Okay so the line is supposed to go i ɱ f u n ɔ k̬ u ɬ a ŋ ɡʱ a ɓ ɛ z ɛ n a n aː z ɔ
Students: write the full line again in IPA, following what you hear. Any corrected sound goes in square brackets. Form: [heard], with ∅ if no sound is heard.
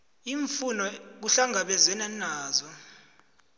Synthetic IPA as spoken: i ɱ f u n ɔ k̬ u ɬ a ŋ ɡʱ a ɓ ɛ z ɛ n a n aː z ɔ

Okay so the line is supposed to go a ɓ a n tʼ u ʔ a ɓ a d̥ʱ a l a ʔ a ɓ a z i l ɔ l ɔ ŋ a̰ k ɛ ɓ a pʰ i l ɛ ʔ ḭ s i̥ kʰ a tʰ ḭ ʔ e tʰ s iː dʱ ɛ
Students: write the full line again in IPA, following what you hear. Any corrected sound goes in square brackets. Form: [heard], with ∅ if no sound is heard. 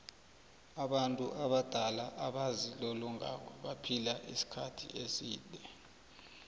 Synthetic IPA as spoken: a ɓ a n tʼ u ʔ a ɓ a d̥ʱ a l a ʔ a ɓ a z i l ɔ l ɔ ŋ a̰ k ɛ ɓ a pʰ i l [a] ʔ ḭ s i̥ kʰ a tʰ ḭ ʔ e [∅] s iː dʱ ɛ

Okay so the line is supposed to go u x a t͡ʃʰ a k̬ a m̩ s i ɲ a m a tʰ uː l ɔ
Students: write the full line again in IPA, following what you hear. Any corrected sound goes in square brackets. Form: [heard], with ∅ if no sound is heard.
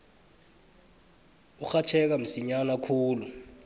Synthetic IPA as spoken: u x a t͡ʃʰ [ɛ] k̬ a m̩ s i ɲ a [n] a [kʰ] uː l [u]

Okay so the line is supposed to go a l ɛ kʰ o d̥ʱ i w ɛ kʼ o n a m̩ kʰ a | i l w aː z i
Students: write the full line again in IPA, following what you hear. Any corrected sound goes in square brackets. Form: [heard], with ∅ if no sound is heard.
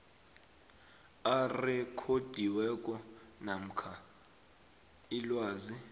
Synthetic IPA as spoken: a [r] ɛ kʰ o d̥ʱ i w ɛ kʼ [ɔ] n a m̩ kʰ a | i l w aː z i

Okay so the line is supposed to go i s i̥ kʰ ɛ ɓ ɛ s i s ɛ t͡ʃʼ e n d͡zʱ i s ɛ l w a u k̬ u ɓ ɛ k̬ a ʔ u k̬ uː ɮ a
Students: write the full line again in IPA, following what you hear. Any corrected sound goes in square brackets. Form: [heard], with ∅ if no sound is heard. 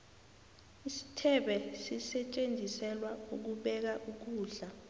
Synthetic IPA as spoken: i s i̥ [tʰ] ɛ ɓ ɛ s i s ɛ t͡ʃʼ e n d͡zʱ i s ɛ l w a u k̬ u ɓ ɛ k̬ a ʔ u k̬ uː ɮ a

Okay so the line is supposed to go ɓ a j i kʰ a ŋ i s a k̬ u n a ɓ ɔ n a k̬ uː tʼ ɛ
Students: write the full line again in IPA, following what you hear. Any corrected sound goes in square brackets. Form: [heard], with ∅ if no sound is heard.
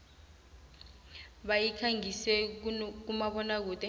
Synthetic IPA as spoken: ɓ a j i kʰ a ŋ i s [ɛ] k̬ u [m] a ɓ ɔ n a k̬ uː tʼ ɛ

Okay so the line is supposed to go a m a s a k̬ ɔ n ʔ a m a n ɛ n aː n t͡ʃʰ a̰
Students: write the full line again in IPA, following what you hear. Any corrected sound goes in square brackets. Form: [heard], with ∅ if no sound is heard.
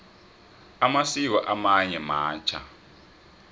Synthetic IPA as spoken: a m a s [i] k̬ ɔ [∅] ʔ a m a [ɲ] ɛ [m] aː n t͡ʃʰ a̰

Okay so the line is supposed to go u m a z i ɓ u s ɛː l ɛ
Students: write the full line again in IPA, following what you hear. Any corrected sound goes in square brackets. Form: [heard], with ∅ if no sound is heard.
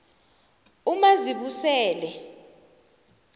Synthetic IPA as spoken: u m a z i ɓ u s ɛː l ɛ

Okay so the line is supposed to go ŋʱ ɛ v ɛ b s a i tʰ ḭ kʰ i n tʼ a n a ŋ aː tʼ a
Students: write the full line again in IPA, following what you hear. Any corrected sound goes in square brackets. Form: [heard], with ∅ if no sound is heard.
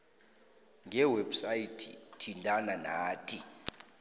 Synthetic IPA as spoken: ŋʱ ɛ [w] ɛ b s a i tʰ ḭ [tʰ] i n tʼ a n a [n] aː tʼ [i]

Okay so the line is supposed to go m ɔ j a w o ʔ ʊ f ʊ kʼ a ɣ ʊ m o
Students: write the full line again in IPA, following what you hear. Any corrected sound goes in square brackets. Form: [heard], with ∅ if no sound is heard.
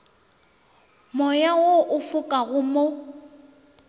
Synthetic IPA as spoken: m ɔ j a w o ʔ ʊ f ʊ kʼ a ɣ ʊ m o

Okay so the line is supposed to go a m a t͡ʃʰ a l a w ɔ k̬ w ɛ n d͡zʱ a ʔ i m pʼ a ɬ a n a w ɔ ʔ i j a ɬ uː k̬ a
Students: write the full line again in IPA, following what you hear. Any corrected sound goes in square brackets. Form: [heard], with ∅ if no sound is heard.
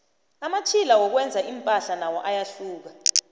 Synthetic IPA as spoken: a m a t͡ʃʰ [i] l a w ɔ k̬ w ɛ n d͡zʱ a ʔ i m pʼ a ɬ a n a w ɔ ʔ [a] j a ɬ uː k̬ a

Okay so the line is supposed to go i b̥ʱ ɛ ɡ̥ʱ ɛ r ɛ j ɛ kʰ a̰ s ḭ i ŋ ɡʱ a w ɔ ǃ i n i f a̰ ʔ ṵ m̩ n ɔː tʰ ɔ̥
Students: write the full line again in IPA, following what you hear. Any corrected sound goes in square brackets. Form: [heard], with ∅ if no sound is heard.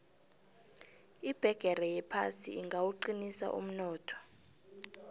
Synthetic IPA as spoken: i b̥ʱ ɛ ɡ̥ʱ ɛ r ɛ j ɛ [pʰ] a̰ s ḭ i ŋ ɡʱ a w [u] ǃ i n i [s] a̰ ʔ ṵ m̩ n ɔː tʰ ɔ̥

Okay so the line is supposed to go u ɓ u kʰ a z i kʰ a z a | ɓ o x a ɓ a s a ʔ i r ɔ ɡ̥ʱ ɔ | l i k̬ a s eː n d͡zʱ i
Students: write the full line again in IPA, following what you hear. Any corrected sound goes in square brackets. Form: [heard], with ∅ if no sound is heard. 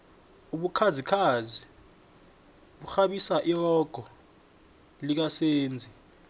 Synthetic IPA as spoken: u ɓ u kʰ a z i kʰ a z [i] | ɓ [u] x a ɓ [i] s a ʔ i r ɔ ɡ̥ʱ ɔ | l i k̬ a s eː n d͡zʱ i

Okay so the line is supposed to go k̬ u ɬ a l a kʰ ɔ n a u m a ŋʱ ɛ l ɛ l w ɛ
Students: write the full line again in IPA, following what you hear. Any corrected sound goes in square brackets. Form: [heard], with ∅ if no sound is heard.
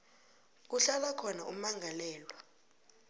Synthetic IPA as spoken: k̬ u ɬ a l a kʰ ɔ n a u m a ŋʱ [a] l [ɛː] l w [a]

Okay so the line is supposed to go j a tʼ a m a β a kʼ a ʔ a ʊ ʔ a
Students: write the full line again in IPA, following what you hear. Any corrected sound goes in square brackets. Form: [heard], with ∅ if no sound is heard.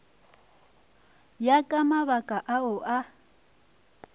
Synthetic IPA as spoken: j a [kʼ] a m a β a kʼ a ʔ a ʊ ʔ a

